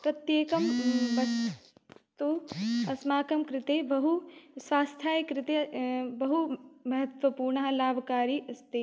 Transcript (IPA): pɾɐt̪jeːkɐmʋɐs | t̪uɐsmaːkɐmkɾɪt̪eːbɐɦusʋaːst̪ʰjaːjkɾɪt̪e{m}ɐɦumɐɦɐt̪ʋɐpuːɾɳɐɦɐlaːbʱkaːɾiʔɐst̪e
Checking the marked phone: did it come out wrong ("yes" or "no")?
yes